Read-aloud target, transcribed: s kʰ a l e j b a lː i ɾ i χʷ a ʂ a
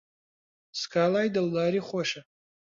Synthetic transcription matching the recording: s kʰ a l a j d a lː a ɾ i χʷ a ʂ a

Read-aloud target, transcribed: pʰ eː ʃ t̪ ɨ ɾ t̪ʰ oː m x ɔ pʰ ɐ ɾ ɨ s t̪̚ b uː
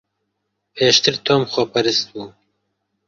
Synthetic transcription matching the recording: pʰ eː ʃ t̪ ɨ ɾ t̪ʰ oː m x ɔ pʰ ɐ ɾ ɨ s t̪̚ b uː

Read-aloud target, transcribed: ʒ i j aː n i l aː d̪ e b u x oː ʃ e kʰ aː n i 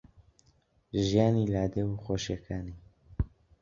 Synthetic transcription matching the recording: ʒ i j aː n i l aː d̪ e w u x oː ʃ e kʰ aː n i

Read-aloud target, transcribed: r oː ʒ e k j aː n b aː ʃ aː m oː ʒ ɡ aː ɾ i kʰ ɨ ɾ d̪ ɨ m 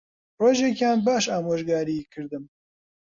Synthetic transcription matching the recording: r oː ʒ e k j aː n b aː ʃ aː m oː ʒ ɡ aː ɾ i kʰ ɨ ɾ d̪ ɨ m

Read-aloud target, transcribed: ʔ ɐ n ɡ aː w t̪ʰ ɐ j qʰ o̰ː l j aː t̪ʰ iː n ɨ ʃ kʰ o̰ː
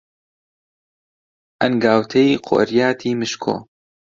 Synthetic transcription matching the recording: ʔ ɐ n ɡ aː w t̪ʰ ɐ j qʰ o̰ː ɾ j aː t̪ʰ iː m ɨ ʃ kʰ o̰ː

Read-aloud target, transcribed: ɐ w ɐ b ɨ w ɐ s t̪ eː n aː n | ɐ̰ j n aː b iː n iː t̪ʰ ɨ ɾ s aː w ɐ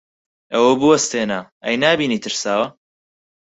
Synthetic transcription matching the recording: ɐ w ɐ b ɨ w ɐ s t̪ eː n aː | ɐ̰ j n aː b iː n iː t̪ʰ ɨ ɾ s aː w ɐ

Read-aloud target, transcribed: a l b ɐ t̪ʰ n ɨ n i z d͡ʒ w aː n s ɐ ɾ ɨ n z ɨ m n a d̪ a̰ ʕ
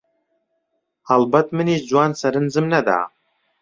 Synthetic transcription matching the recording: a l b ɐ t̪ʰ m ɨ n i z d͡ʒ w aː n s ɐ ɾ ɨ n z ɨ m n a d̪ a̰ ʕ

